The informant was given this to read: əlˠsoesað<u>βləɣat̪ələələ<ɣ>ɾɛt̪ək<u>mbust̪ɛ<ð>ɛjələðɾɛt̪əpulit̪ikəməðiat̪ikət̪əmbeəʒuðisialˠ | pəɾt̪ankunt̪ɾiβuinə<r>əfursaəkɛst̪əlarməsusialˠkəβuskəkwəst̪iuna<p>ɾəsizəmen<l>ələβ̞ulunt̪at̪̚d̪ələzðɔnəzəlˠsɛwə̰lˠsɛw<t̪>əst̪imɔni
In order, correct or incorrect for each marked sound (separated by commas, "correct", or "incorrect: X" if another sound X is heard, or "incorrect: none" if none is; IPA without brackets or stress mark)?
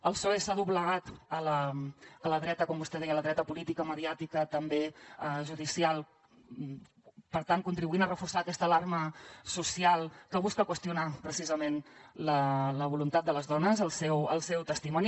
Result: correct, incorrect: ð, incorrect: ɔ, correct, correct, correct, correct, correct